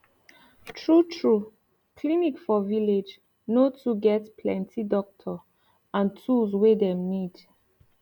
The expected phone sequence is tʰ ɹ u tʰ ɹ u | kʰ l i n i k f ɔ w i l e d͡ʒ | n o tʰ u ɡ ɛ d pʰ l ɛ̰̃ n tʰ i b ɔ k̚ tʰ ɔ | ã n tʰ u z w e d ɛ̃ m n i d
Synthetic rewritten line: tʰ ɹ u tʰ ɹ u | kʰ l i n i k f ɔ v i l e d͡ʒ | n o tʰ u ɡ ɛ t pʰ l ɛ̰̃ n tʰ i d ɔ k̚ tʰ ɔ | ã n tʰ u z w e d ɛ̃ m n i d